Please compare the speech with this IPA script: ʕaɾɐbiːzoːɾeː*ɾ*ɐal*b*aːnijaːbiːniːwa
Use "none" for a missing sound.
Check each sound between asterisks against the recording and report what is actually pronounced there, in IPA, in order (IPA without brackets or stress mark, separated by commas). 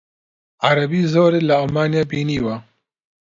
l, m